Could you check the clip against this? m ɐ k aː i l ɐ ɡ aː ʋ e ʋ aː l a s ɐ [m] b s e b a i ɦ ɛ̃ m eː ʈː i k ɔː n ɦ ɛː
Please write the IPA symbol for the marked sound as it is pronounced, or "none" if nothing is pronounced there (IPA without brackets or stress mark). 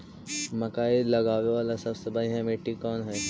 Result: none